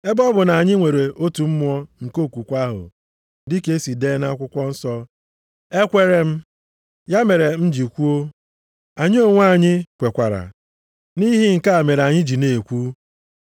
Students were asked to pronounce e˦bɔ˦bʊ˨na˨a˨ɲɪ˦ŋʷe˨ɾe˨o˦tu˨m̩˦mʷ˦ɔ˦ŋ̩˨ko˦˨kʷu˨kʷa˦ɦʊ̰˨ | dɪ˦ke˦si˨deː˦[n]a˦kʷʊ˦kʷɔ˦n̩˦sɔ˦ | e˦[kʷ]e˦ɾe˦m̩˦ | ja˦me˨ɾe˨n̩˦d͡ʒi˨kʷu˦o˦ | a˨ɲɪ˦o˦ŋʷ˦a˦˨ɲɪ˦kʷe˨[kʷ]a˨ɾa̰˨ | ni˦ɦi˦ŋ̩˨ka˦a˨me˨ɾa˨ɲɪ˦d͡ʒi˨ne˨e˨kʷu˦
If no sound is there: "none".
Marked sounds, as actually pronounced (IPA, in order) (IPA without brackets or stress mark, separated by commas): n, kʷ, kʷ